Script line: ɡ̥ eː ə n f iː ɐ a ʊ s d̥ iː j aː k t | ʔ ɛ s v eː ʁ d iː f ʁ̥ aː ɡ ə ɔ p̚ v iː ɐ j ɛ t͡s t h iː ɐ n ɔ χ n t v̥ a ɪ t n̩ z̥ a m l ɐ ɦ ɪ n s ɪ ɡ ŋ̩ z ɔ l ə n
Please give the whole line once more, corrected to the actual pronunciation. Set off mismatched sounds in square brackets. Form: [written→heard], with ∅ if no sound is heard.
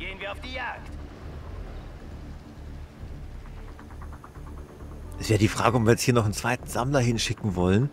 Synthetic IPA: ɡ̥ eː ə n [f→v] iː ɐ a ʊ [s→f] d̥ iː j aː k t | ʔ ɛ s v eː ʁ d iː f ʁ̥ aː ɡ ə ɔ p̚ v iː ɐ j ɛ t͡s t h iː ɐ n ɔ χ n [t→t͡s] v̥ a ɪ t n̩ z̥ a m l ɐ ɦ ɪ n [s→ʃ] ɪ [ɡ→k] ŋ̩ [z→v] ɔ l ə n